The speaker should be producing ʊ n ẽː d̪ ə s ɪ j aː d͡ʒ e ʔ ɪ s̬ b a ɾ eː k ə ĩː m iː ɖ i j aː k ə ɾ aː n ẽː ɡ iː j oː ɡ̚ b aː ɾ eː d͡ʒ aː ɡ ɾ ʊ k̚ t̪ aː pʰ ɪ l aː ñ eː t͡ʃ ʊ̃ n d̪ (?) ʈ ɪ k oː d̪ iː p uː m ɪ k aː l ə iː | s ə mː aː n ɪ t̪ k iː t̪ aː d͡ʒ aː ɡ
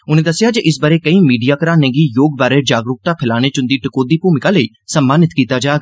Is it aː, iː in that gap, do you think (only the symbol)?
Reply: iː